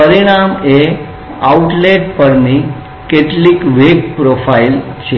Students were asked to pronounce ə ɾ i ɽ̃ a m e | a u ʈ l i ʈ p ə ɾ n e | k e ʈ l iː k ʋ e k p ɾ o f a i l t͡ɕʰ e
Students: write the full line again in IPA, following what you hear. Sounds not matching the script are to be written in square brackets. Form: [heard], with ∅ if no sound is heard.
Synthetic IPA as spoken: ə ɾ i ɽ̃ a m e | a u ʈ l [e] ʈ p ə ɾ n [i] | k e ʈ l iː k ʋ e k p ɾ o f a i l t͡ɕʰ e